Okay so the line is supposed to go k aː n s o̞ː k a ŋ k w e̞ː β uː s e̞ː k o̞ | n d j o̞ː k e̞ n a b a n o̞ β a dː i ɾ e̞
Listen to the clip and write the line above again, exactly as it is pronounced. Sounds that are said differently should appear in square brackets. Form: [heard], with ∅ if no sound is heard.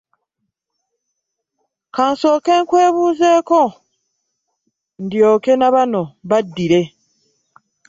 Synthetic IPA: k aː n s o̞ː k [e] ŋ k w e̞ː β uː [z] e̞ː k o̞ | n d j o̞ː k e̞ n a [β] a n o̞ β a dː i ɾ e̞